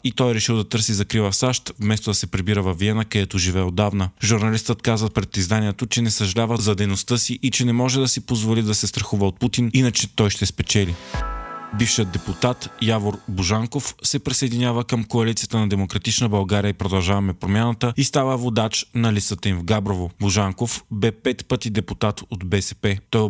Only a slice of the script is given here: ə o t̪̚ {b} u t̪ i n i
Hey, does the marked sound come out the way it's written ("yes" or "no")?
no